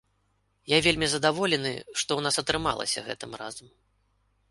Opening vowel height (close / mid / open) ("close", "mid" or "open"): open